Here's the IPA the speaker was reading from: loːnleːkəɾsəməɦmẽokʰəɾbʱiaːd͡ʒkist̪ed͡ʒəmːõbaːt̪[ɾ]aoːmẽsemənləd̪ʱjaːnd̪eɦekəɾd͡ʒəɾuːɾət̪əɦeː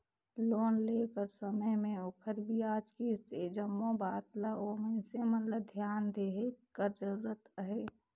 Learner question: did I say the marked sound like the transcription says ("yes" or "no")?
no